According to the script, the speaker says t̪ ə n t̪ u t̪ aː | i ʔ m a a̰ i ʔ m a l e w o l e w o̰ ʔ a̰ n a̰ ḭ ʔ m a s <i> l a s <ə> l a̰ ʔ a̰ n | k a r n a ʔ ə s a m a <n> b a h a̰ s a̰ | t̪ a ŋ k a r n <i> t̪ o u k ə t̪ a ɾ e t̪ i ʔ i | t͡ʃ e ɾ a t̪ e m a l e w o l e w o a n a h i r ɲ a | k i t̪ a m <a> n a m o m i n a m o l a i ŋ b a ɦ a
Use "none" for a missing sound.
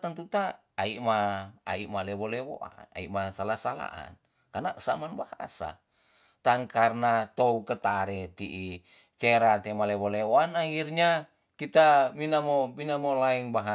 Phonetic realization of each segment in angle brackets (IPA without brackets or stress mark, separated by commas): a, a, n, a, i